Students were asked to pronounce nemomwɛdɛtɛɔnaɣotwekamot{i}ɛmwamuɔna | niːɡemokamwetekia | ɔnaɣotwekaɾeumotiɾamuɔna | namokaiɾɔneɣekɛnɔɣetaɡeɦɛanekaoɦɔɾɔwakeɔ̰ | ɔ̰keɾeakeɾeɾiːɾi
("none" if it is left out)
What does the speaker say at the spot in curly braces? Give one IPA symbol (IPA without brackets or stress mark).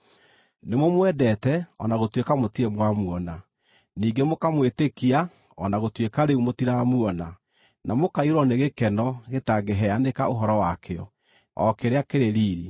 i